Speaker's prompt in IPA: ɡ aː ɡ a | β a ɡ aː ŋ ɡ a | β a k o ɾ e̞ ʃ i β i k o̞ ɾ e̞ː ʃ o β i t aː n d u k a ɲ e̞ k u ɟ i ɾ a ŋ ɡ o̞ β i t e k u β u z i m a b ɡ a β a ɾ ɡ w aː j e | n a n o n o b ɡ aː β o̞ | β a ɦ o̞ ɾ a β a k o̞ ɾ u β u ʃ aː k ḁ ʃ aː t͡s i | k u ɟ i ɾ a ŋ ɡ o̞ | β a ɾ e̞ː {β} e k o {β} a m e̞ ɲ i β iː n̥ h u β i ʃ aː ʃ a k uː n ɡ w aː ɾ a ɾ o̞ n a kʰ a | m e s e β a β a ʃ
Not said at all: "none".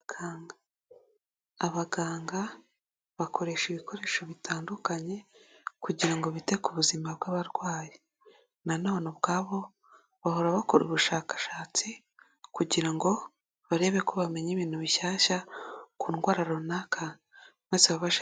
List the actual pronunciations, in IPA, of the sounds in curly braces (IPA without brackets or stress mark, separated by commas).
β, β